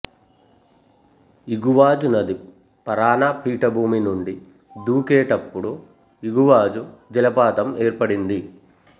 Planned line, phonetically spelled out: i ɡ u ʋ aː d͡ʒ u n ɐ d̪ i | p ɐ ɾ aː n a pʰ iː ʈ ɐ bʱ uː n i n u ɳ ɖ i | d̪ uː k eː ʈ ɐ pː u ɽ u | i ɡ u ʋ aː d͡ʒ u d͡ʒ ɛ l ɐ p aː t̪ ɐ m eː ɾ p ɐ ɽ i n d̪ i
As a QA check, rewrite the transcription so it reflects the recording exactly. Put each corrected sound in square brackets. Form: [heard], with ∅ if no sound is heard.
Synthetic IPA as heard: i ɡ u ʋ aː d͡ʒ u n ɐ d̪ i | p ɐ ɾ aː n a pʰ iː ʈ ɐ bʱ uː [m] i n u ɳ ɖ i | d̪ uː k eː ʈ ɐ pː u ɽ u | i ɡ u ʋ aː d͡ʒ u d͡ʒ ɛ l ɐ p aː t̪ ɐ m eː ɾ p ɐ ɽ i n d̪ i